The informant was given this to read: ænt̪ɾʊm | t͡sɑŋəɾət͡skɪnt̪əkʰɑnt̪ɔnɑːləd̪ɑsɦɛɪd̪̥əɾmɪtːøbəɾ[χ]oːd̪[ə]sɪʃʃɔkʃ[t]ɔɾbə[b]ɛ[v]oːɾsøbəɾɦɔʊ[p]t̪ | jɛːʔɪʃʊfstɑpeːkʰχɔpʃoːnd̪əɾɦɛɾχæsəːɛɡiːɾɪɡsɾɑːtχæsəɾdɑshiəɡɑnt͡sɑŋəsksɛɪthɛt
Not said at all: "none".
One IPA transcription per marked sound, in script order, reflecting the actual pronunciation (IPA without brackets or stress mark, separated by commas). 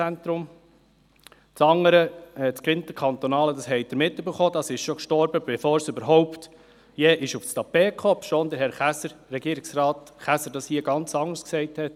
χ, ɑ, t, b, f, p